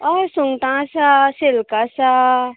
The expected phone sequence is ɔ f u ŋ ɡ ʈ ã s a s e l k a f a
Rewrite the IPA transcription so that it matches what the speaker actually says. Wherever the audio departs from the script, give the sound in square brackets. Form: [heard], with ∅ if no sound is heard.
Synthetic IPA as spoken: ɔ [s] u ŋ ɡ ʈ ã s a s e l k a [s] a